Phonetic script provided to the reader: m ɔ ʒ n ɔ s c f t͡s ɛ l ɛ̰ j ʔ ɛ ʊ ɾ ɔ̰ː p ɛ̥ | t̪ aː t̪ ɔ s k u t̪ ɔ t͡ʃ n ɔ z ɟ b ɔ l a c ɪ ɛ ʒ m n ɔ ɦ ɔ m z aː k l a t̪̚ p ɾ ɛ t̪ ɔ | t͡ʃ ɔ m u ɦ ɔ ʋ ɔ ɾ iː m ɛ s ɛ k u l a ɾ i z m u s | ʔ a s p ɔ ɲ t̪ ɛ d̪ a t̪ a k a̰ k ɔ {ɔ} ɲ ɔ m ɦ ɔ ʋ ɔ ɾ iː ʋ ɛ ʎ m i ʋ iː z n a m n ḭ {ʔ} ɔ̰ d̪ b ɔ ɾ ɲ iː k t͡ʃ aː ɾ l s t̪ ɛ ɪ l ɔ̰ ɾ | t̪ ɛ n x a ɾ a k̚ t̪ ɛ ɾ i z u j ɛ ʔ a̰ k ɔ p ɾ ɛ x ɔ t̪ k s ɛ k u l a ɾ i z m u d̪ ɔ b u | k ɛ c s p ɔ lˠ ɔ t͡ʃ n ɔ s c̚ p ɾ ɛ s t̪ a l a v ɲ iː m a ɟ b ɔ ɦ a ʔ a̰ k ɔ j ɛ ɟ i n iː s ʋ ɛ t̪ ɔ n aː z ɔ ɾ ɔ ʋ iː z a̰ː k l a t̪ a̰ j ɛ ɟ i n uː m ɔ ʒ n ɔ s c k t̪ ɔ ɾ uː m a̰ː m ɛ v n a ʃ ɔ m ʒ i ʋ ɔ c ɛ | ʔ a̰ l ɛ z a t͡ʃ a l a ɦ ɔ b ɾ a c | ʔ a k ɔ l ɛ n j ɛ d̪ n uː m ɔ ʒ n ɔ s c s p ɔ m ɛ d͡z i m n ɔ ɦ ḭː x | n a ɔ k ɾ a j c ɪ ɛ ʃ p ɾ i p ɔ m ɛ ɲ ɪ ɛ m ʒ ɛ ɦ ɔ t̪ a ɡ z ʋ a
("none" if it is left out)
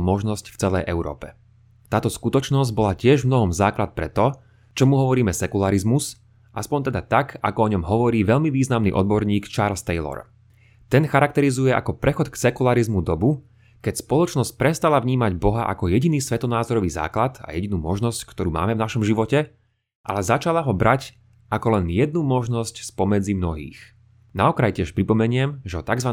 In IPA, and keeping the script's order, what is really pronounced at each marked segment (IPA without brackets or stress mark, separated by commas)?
ɔ, ʔ